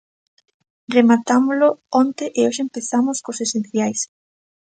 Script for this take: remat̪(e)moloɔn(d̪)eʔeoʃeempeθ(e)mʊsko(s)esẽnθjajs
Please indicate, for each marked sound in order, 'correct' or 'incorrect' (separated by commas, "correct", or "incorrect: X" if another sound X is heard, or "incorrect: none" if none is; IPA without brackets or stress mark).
incorrect: a, incorrect: t̪, incorrect: a, correct